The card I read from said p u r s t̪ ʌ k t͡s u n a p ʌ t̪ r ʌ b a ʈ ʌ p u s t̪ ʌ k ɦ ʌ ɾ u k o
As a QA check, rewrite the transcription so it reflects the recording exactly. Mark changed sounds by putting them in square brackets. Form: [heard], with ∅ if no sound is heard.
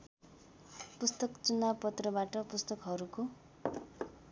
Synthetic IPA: p u [∅] s t̪ ʌ k t͡s u n a p ʌ t̪ r ʌ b a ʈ ʌ p u s t̪ ʌ k ɦ ʌ ɾ u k o